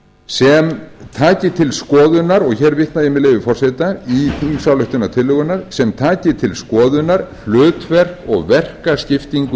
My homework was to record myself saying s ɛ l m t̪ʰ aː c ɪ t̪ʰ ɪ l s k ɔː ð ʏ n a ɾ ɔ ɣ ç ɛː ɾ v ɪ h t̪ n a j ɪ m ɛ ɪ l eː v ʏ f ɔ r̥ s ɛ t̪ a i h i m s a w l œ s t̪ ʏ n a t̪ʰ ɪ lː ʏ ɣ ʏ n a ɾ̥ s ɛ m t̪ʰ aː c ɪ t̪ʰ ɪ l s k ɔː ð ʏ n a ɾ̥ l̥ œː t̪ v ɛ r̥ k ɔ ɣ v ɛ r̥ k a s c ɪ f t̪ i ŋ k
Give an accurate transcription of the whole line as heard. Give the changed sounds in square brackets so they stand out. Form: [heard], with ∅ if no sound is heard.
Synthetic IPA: s ɛ [∅] m t̪ʰ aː c ɪ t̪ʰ ɪ l s k ɔː ð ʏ n a ɾ ɔ ɣ ç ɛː ɾ v ɪ h t̪ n a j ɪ m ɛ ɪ l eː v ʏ f ɔ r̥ s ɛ t̪ a i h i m s a w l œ [h] t̪ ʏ n a t̪ʰ ɪ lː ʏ ɣ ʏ n a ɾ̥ s ɛ m t̪ʰ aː c ɪ t̪ʰ ɪ l s k ɔː ð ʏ n a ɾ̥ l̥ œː t̪ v ɛ r̥ k ɔ ɣ v ɛ r̥ k a s c ɪ f t̪ i ŋ k